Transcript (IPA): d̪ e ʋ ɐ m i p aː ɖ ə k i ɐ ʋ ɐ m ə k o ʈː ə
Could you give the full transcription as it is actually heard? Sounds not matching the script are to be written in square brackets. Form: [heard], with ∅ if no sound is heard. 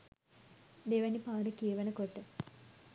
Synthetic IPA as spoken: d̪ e ʋ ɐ [n] i p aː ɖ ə k i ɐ ʋ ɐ [n] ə k o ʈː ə